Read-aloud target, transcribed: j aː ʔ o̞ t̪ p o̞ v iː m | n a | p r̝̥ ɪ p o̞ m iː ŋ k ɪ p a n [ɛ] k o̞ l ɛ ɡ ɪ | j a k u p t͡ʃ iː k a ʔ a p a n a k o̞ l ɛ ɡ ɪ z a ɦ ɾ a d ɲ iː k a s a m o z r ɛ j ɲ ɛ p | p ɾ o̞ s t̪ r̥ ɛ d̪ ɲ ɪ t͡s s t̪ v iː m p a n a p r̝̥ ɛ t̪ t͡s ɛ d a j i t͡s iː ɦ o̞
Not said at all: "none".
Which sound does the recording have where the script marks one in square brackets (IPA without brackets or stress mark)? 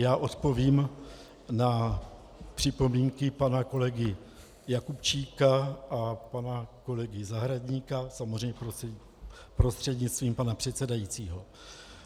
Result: a